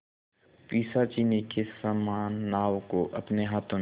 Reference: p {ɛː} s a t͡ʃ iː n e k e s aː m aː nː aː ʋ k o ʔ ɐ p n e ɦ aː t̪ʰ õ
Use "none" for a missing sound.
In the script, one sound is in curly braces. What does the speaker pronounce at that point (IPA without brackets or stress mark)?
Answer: iː